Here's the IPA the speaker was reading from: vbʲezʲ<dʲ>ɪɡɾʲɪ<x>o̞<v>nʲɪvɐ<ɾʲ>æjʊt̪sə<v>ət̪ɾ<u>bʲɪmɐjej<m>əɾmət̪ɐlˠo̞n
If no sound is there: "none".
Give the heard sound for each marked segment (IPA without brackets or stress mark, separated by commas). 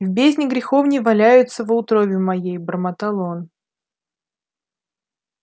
nʲ, x, v, lʲ, v, o, b